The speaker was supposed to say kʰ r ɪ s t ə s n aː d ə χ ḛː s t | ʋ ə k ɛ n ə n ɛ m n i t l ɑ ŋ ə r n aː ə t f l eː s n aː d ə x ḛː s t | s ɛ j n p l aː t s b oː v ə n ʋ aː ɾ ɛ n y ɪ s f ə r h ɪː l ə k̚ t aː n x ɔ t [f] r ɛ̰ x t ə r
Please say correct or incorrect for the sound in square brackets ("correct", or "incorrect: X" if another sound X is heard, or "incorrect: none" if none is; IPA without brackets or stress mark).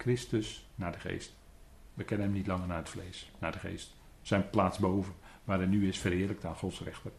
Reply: incorrect: s